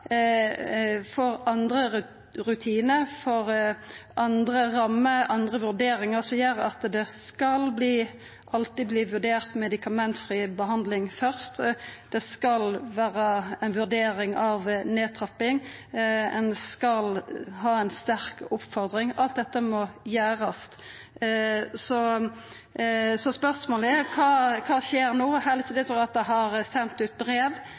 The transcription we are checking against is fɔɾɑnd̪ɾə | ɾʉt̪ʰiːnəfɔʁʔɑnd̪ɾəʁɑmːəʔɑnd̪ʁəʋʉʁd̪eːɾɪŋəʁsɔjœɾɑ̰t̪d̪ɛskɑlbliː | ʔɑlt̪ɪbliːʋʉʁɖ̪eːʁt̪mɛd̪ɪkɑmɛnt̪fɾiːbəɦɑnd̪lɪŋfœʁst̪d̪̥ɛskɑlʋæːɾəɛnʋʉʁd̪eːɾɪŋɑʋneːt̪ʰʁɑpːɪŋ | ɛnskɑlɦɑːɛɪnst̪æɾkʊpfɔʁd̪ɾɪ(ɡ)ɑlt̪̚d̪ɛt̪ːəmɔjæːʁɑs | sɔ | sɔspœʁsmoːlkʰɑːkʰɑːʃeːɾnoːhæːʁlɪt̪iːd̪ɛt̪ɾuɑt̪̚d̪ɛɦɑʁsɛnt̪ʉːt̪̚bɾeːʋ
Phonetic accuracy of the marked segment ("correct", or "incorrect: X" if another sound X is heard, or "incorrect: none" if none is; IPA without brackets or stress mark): incorrect: ŋ